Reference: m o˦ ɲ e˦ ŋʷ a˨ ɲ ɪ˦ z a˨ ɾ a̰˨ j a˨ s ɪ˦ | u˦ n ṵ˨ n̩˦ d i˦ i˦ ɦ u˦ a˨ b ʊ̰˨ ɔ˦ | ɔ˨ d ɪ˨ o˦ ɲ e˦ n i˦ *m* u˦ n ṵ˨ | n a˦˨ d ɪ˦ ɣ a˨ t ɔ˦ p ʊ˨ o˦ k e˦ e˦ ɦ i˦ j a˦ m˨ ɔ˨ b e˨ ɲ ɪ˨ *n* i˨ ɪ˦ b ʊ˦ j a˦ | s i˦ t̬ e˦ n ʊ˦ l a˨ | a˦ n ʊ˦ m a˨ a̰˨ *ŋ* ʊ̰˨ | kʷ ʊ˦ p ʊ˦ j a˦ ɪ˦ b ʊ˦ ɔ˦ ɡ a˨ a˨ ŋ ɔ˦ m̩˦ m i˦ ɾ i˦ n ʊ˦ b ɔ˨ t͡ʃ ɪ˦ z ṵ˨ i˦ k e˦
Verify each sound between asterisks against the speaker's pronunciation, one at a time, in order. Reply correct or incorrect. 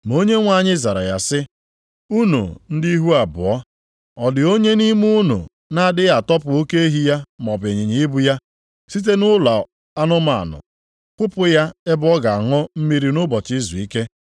correct, incorrect, incorrect

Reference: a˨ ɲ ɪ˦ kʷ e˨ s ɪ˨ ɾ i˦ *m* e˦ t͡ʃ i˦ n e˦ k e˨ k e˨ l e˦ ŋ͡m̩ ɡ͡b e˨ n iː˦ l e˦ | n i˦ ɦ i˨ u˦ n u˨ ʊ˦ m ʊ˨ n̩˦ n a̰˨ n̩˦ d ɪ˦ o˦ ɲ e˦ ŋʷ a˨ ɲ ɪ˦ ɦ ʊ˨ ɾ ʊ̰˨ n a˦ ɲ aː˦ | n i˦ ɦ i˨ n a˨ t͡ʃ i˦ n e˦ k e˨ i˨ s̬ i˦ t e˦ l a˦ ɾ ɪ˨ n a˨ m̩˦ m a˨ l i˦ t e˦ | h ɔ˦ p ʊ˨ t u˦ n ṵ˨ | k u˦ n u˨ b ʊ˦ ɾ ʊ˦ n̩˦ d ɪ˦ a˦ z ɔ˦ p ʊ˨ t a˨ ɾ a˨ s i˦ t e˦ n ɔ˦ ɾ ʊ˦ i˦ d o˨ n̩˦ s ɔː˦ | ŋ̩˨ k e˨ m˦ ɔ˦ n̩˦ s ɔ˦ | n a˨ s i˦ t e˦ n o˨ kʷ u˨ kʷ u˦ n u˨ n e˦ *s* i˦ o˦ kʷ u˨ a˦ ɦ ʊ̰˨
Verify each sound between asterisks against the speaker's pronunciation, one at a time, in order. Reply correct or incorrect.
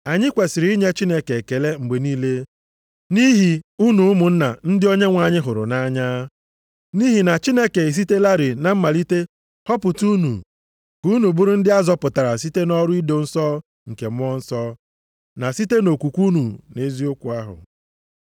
incorrect, incorrect

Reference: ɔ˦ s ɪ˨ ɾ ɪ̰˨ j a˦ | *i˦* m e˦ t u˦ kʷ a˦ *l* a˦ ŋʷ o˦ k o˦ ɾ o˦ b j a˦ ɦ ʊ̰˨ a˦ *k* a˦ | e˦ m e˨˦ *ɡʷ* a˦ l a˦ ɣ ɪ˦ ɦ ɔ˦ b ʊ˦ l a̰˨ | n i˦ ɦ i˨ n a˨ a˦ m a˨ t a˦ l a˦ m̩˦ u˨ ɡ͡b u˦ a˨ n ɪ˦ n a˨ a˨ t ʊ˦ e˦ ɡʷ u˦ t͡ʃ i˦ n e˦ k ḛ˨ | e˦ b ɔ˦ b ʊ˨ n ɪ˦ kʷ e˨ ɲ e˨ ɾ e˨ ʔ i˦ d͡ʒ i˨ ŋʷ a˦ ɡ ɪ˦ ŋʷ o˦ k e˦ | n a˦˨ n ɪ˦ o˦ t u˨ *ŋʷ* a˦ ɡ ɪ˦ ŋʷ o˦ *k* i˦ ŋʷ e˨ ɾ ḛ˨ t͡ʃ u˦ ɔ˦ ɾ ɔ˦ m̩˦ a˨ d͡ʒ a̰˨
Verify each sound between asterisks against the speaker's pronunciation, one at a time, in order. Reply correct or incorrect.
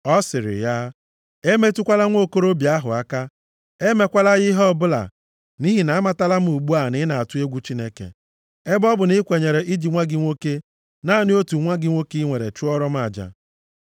incorrect, correct, correct, incorrect, correct, correct

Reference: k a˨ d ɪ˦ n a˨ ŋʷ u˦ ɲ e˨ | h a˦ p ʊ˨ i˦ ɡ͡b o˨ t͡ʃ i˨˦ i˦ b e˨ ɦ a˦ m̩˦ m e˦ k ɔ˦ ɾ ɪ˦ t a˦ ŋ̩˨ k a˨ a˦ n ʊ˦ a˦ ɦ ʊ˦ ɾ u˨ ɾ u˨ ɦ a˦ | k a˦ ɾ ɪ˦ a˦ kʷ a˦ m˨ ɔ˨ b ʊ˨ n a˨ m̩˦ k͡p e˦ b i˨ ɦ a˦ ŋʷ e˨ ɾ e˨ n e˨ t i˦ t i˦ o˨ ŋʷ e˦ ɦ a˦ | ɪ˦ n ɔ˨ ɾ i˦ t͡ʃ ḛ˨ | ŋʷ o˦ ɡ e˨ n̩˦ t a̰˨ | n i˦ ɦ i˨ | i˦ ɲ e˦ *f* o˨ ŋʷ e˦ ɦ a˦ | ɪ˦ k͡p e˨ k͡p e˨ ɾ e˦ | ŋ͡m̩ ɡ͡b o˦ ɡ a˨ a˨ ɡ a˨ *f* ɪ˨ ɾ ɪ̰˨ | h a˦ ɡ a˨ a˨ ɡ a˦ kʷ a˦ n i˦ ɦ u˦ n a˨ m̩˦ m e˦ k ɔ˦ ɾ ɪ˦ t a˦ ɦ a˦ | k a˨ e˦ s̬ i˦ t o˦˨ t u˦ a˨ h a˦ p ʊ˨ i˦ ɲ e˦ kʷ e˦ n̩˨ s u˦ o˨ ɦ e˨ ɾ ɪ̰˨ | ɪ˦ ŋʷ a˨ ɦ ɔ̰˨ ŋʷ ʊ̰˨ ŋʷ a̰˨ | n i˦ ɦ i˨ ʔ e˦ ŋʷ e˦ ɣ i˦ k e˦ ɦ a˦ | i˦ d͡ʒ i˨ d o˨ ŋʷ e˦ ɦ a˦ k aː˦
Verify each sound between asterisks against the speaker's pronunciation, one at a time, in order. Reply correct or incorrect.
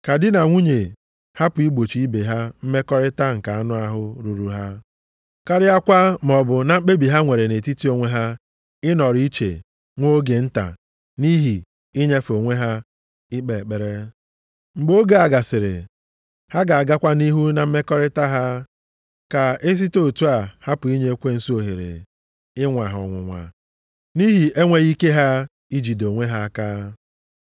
correct, incorrect

